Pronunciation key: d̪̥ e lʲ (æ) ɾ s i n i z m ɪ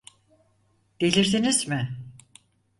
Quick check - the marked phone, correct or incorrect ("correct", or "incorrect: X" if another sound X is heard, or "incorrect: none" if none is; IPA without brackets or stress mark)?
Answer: incorrect: i